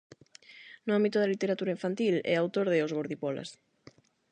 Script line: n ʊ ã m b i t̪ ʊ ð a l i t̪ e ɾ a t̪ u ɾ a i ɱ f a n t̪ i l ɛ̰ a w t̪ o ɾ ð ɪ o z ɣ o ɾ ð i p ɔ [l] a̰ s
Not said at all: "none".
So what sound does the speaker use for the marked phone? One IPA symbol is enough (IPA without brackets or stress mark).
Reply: l